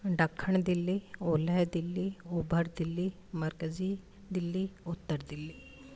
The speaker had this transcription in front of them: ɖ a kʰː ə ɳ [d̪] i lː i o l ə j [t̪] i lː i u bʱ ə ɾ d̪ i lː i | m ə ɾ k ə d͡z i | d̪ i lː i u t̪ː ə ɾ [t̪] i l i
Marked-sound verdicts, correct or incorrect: correct, incorrect: d̪, incorrect: d̪

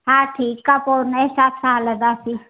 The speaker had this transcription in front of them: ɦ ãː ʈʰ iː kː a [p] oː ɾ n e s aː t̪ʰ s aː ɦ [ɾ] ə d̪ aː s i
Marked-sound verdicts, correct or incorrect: correct, incorrect: l

